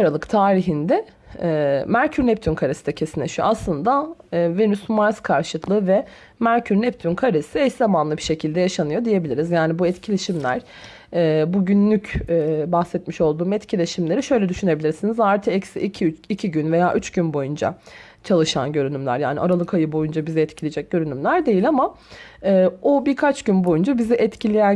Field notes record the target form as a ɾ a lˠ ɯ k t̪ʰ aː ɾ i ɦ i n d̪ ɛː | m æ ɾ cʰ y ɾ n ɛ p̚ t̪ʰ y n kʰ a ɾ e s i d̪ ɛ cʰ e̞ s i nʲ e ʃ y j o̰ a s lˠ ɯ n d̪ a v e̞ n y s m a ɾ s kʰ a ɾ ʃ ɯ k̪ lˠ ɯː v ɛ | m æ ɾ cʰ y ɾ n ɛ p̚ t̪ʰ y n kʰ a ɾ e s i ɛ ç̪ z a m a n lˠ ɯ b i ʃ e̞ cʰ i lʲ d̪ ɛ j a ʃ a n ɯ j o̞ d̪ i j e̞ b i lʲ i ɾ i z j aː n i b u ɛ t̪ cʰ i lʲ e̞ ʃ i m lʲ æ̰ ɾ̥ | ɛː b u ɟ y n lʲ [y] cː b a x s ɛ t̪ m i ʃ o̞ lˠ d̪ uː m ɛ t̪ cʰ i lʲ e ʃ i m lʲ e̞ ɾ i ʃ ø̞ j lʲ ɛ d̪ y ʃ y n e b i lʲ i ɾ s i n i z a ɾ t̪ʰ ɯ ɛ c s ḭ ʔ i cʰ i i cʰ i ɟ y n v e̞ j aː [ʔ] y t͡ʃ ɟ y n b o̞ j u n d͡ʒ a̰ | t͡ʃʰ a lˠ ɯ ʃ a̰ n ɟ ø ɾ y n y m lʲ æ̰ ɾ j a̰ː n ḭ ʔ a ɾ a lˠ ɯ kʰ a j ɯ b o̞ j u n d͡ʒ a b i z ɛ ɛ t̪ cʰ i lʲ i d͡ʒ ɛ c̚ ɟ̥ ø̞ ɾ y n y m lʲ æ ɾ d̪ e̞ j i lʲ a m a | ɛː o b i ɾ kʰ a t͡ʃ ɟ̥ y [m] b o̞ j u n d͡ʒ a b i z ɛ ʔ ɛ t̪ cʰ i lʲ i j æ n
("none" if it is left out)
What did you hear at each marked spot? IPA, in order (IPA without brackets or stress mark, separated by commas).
y, ʔ, n